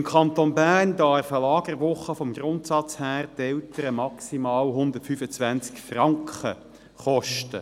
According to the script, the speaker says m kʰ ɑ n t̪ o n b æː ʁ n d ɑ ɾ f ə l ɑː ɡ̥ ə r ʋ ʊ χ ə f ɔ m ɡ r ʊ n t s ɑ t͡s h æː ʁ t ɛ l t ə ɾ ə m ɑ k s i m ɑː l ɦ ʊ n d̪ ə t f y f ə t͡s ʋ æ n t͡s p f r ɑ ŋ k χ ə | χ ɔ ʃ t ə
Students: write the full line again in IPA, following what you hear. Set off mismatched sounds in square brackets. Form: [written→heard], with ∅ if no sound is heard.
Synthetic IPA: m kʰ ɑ n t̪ o n b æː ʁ n d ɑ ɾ f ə l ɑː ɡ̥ ə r ʋ ʊ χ ə f ɔ m ɡ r ʊ n t s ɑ t͡s h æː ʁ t ɛ l t ə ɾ ə m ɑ k s i m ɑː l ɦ ʊ n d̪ ə t f y f ə t͡s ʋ æ n t͡s [p→k] f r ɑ ŋ k χ ə | χ ɔ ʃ t ə